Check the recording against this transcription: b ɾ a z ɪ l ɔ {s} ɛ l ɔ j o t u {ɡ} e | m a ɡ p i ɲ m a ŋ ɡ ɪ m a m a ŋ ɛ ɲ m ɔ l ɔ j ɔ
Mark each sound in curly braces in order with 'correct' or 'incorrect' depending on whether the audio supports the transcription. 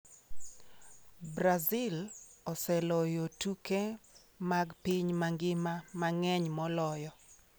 correct, incorrect: k

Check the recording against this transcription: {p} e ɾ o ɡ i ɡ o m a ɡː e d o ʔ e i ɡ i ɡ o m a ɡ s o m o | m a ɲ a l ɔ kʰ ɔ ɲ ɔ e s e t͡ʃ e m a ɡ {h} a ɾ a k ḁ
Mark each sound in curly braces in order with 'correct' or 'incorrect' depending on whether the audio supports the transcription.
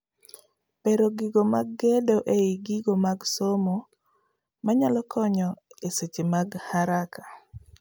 correct, correct

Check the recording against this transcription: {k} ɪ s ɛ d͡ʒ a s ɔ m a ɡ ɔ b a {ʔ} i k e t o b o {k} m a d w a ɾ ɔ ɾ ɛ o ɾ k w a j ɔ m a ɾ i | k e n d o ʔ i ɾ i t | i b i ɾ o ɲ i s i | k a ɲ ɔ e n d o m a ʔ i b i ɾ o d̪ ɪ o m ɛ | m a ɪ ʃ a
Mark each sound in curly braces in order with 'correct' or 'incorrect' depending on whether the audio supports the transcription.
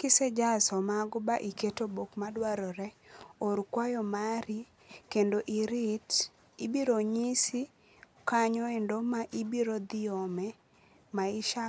correct, correct, correct

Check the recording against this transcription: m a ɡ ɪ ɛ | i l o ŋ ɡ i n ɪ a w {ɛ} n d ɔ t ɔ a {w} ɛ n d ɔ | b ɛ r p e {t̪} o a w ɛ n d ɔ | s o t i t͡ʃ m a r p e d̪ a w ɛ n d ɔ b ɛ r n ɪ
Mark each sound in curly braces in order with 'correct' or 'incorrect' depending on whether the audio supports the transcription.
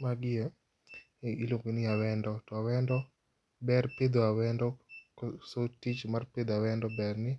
correct, correct, incorrect: d̪

